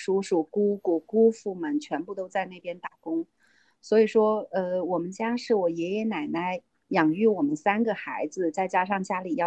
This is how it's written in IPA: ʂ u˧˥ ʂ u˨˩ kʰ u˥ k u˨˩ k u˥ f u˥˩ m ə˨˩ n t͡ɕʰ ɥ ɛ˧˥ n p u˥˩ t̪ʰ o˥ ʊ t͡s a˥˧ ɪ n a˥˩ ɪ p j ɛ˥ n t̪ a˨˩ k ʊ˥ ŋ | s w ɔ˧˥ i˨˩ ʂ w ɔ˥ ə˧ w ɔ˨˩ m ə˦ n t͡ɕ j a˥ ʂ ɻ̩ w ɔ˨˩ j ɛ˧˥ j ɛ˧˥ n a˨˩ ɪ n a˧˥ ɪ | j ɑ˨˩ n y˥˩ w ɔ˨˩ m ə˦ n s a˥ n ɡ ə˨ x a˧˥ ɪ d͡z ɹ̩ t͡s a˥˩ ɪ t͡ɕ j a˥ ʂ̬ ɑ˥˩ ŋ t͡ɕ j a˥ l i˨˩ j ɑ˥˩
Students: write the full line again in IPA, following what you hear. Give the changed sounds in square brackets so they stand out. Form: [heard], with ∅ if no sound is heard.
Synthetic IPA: ʂ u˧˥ ʂ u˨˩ [k] u˥ k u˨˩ k u˥ f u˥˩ m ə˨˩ n t͡ɕʰ ɥ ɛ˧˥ n p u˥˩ [t̪] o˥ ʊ t͡s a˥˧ ɪ n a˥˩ ɪ p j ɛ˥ n t̪ a˨˩ k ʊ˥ ŋ | s w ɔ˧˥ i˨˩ ʂ w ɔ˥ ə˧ w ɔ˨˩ m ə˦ n t͡ɕ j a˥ ʂ ɻ̩ w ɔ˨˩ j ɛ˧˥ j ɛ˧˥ n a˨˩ ɪ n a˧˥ ɪ | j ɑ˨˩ [ŋ] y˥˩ w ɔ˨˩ m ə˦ n s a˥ n ɡ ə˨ x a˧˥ ɪ d͡z ɹ̩ t͡s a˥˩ ɪ t͡ɕ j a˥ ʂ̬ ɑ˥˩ ŋ t͡ɕ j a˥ l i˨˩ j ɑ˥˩